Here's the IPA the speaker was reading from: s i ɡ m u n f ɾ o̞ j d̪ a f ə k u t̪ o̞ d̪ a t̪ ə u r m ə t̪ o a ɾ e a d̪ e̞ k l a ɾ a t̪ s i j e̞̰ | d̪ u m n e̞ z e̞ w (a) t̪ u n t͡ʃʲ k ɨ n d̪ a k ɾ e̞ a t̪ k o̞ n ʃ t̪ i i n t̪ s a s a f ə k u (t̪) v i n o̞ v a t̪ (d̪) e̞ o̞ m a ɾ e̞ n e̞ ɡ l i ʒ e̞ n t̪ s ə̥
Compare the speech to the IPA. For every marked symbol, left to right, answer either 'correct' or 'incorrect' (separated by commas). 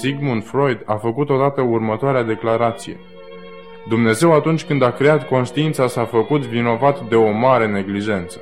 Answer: correct, correct, correct